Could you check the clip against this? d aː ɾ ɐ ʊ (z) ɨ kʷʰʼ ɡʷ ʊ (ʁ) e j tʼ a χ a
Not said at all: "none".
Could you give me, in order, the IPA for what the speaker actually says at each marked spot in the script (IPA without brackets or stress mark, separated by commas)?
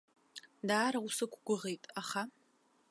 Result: s, ʁ